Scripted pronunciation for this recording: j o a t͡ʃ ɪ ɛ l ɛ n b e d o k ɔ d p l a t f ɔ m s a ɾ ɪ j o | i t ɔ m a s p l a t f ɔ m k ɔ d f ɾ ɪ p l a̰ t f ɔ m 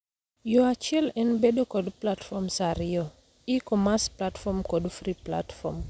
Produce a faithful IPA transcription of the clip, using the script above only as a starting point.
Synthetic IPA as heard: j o a t͡ʃ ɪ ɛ l ɛ n b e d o k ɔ d p l a t f ɔ m s a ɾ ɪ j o | i k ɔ m a s p l a t f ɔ m k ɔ d f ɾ i p l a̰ t f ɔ m